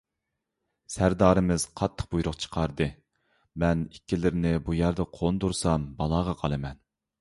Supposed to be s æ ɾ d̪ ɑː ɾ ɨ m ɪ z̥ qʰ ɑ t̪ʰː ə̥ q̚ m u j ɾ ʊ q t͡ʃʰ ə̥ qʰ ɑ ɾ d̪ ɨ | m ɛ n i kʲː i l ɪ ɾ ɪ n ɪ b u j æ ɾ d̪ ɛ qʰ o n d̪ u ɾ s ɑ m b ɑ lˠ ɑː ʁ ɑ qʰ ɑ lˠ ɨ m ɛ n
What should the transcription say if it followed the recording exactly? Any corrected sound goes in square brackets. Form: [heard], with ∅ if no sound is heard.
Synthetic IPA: s æ ɾ d̪ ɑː ɾ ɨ m ɪ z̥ qʰ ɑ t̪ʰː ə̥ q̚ [b] u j ɾ ʊ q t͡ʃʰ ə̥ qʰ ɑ ɾ d̪ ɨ | m ɛ n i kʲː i l ɪ ɾ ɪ n ɪ b u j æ ɾ d̪ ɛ qʰ o n d̪ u ɾ s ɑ m b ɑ lˠ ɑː ʁ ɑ qʰ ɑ lˠ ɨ m ɛ n